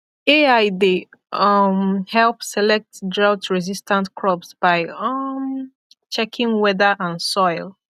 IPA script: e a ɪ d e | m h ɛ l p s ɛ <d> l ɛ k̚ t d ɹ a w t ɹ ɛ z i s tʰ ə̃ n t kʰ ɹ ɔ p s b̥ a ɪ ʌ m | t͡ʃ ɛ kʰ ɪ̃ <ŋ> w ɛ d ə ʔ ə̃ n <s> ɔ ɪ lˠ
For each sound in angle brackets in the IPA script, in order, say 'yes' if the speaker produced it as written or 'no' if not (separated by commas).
no, yes, yes